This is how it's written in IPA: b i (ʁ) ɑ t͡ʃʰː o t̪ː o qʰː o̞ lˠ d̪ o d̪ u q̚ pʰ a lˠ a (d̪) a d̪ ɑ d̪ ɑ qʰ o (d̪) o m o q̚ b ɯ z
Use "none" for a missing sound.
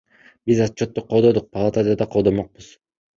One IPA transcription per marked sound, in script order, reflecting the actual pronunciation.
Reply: z, t̪, d̪

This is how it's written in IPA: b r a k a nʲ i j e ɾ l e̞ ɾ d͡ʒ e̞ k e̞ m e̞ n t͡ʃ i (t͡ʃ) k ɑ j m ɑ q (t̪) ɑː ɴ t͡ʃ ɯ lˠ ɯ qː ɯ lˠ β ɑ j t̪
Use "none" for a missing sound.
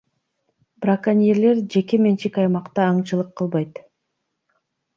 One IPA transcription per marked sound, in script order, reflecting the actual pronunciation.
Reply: none, t̪

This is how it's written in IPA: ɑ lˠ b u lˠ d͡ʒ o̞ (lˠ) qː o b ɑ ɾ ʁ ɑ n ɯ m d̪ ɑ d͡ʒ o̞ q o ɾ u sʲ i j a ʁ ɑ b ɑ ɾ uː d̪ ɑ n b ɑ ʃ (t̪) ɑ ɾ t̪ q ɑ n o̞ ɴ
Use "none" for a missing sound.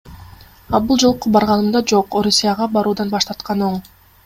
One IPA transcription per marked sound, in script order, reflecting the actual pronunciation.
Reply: lˠ, t̪

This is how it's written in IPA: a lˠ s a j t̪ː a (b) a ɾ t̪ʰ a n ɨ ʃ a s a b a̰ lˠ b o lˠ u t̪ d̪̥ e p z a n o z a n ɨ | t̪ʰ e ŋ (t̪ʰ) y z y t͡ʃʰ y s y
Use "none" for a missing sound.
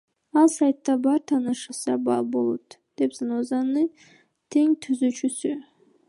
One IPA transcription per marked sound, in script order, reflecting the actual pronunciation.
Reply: b, t̪ʰ

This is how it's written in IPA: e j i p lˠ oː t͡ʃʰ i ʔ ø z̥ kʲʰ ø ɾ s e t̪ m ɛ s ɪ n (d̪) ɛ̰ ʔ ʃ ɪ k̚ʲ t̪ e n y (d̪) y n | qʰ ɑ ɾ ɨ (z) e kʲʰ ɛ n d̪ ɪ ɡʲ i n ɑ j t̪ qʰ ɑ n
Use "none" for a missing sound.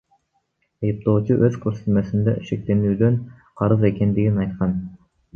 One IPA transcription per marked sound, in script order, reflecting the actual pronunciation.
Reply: d̪, d̪, z

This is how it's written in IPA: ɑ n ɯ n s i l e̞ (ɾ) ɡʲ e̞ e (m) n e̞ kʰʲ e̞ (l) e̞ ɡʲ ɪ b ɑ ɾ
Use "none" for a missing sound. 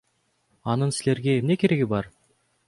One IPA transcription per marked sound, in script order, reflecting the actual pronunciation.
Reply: ɾ, m, ɾ

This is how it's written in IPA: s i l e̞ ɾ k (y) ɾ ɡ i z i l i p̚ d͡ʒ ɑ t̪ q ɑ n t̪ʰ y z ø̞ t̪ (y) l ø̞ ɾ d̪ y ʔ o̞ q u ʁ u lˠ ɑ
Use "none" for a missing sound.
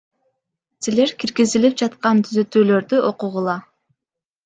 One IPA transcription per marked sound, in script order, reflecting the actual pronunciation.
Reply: i, yː

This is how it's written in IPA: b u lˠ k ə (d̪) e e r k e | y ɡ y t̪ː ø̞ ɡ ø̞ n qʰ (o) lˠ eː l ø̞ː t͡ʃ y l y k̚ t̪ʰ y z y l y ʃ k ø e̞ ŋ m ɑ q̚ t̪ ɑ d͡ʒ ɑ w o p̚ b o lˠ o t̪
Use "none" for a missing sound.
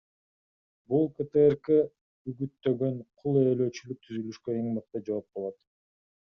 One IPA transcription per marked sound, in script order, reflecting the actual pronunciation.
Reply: t̪, u

